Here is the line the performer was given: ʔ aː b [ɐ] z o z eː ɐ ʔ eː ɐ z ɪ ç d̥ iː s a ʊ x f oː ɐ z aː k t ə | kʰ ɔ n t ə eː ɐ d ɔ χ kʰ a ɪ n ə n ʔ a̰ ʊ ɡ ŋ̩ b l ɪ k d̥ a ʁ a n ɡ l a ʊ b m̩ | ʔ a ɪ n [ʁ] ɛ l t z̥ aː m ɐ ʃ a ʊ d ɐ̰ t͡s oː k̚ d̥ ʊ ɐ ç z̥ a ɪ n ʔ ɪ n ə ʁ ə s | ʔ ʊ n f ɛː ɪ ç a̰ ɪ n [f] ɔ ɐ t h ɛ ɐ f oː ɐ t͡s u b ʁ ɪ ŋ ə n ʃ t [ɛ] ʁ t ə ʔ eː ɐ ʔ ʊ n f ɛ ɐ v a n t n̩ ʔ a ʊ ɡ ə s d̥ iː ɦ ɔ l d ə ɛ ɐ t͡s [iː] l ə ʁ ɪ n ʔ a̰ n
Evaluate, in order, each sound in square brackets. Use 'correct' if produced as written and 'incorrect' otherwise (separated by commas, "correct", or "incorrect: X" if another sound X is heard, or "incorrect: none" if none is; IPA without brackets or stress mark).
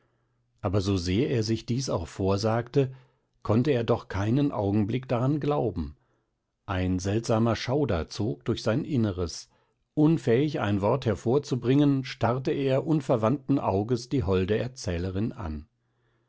correct, incorrect: z, incorrect: v, incorrect: a, incorrect: ɛː